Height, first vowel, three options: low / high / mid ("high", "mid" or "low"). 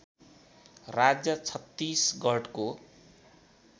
low